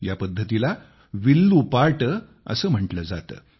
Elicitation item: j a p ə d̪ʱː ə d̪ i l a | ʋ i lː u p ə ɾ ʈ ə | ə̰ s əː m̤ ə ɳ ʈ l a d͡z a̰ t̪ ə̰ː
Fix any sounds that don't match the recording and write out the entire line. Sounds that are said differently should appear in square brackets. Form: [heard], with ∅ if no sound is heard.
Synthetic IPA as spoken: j a p ə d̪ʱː ə [t̪] i l a | ʋ i lː u p [a] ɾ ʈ ə | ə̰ s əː m̤ ə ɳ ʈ l [ə] d͡z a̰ t̪ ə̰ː